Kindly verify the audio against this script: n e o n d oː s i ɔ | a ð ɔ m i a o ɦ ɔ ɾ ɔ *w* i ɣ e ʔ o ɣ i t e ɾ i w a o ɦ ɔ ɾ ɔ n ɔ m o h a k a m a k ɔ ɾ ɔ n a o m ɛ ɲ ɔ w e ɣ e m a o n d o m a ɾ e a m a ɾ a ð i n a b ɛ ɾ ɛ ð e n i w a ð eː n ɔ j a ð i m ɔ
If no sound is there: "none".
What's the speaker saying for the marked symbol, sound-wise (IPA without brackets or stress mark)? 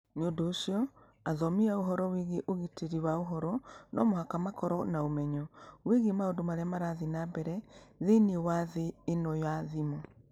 w